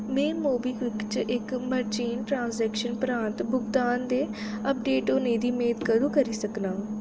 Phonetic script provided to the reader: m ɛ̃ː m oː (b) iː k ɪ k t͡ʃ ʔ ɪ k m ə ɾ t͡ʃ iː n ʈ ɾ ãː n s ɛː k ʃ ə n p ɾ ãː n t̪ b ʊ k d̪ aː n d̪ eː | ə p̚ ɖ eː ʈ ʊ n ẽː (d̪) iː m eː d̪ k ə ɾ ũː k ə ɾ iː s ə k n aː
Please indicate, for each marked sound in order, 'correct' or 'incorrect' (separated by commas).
correct, correct